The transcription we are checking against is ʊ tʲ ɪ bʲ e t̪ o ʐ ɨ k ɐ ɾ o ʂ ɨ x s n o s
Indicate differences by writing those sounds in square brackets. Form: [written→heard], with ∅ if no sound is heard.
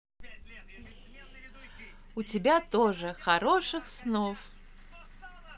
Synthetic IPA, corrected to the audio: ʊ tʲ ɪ bʲ [e→a] t̪ o ʐ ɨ [k→x] ɐ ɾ o ʂ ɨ x s n o [s→f]